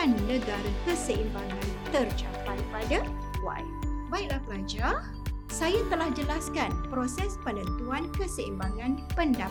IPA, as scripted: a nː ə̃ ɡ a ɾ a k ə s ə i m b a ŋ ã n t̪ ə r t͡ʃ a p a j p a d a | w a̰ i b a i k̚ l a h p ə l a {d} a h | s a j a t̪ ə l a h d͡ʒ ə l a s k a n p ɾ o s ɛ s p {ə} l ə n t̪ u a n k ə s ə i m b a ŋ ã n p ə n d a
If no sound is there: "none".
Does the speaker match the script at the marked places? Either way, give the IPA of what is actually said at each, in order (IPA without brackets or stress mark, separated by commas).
d͡ʒ, ə